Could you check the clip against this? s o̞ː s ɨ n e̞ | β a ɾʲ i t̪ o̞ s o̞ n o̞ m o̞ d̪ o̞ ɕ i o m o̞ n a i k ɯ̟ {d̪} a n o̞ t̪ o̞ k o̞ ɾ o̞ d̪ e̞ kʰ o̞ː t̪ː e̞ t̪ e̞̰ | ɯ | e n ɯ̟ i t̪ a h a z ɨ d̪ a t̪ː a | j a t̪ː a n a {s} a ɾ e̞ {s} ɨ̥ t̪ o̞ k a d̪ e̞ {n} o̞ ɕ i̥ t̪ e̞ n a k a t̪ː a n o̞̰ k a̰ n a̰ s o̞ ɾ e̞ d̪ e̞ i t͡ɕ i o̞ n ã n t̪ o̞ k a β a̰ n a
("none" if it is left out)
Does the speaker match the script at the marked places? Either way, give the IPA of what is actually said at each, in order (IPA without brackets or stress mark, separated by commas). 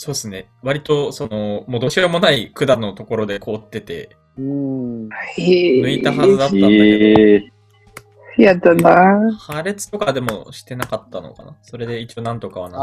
d̪, h, t͡s, m